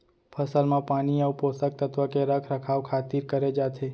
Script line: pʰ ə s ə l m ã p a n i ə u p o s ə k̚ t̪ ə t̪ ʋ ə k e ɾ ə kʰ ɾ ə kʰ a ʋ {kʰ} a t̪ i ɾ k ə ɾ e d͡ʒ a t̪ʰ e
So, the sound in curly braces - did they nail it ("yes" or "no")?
yes